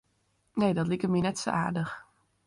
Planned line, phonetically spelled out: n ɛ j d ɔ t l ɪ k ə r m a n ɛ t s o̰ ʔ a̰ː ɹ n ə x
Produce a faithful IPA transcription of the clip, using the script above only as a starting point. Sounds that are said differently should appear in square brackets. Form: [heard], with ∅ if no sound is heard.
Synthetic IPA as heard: n [e] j d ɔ t l [i] k ə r m [i] n ɛ t s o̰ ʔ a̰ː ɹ [d] ə x

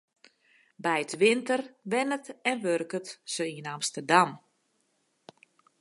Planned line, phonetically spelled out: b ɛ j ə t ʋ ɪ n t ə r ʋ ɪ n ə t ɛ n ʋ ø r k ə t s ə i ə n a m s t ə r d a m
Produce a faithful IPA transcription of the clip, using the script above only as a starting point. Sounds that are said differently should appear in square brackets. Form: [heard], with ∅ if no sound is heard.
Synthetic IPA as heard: b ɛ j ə t ʋ ɪ n t ə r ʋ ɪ n ə t ɛ n ʋ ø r k ə t s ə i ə n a m s t ə r d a m

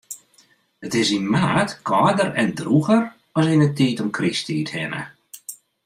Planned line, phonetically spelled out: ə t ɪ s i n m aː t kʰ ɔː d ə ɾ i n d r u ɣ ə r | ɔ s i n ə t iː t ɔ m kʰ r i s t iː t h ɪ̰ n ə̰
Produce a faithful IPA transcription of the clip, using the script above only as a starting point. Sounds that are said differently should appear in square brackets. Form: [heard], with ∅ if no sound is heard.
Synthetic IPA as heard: ə t ɪ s i n m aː t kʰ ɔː d ə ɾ [ɛ] n d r u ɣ ə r | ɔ s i n ə t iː t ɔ m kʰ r i s t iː t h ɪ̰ n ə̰

